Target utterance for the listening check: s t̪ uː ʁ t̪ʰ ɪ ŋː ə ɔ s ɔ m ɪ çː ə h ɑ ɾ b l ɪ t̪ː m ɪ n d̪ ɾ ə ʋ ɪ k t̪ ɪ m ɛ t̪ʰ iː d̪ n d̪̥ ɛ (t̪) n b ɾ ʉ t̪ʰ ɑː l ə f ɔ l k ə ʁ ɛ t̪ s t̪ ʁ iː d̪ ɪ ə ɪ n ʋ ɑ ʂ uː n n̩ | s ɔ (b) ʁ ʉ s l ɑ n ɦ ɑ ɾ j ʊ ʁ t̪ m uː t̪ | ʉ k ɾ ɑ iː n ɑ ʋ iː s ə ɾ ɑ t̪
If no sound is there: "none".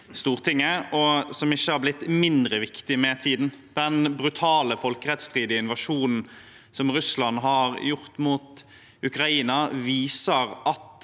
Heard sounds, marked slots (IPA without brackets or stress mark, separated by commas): none, m